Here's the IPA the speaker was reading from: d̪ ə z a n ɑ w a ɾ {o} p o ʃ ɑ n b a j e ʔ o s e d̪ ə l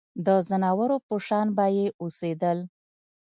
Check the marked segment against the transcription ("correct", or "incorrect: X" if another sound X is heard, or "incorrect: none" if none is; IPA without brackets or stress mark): correct